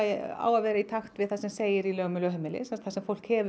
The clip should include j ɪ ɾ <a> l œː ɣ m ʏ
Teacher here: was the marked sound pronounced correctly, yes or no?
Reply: no